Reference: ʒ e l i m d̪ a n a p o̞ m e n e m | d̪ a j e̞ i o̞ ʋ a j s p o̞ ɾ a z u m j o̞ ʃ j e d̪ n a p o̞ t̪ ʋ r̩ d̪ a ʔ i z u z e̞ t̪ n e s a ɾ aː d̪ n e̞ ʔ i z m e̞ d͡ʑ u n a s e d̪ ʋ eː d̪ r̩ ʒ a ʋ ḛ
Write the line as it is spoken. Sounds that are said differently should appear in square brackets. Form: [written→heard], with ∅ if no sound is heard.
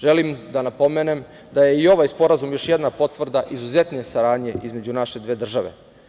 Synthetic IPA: ʒ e l i m d̪ a n a p o̞ m e n e m | d̪ a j e̞ i o̞ ʋ a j s p o̞ ɾ a z u m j o̞ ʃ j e d̪ n a p o̞ t̪ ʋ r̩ d̪ a ʔ i z u z e̞ t̪ n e s a ɾ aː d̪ [n→ɲ] e̞ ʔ i z m e̞ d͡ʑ u n a [s→ʃ] e d̪ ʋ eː d̪ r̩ ʒ a ʋ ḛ